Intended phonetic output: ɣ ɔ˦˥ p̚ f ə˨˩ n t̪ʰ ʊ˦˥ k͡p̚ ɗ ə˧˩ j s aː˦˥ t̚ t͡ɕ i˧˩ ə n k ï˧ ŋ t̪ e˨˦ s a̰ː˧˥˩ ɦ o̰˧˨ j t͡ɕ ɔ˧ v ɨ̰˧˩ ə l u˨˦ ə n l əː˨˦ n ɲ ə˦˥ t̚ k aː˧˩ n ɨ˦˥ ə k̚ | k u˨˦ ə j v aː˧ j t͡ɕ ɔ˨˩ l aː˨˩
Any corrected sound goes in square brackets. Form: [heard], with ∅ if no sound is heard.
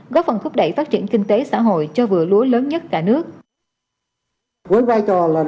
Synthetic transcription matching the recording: ɣ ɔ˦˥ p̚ f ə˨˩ n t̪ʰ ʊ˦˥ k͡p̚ ɗ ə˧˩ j [f] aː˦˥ t̚ t͡ɕ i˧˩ ə n k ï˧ ŋ t̪ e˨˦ s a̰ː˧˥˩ ɦ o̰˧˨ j t͡ɕ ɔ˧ v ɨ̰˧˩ ə l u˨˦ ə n l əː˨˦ n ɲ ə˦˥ t̚ k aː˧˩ n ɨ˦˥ ə k̚ | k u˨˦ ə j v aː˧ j t͡ɕ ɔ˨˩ l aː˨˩